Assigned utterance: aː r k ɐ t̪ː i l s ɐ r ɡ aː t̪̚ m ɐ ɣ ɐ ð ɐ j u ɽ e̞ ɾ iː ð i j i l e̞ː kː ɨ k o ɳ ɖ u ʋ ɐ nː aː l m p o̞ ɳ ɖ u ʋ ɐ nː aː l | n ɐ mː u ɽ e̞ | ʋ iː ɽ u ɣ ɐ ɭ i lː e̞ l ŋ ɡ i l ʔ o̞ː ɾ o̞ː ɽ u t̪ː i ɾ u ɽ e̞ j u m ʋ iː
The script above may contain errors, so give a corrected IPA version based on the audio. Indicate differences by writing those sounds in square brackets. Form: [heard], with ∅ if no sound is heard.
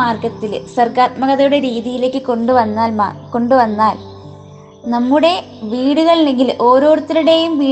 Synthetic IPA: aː r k ɐ t̪ː i l s ɐ r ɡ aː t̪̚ m ɐ ɣ ɐ ð ɐ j u ɽ e̞ ɾ iː ð i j i l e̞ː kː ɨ k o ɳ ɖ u ʋ ɐ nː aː l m [k] o̞ ɳ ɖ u ʋ ɐ nː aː l | n ɐ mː u ɽ e̞ | ʋ iː ɽ u ɣ ɐ ɭ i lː e̞ [∅] ŋ ɡ i l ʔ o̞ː ɾ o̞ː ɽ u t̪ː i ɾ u ɽ e̞ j u m ʋ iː